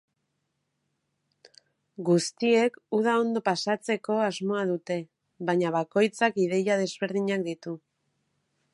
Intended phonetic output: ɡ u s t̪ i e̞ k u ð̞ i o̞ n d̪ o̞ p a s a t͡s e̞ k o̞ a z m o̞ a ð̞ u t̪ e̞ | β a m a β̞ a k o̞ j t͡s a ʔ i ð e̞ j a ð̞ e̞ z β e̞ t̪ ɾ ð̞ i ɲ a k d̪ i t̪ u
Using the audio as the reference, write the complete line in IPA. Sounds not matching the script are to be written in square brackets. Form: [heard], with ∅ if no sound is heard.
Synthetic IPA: ɡ u s t̪ i e̞ k u ð̞ [a] o̞ n d̪ o̞ p a s a t͡s e̞ k o̞ a z m o̞ a ð̞ u t̪ e̞ | β a [ɲ] a β̞ a k o̞ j t͡s a [k] i ð e̞ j a ð̞ e̞ z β e̞ [∅] ɾ ð̞ i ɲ a k d̪ i t̪ u